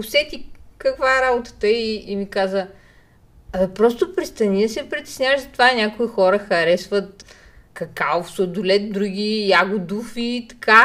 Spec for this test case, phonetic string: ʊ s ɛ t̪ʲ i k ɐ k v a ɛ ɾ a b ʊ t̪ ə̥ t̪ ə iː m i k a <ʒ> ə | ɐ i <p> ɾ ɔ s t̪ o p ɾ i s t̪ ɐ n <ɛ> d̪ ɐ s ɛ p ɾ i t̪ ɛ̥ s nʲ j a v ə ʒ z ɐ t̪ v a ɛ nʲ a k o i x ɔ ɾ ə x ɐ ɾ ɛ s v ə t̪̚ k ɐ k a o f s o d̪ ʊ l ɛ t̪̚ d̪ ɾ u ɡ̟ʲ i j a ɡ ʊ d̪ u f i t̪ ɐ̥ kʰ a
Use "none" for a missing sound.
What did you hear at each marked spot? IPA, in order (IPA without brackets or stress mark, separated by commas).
z, p, i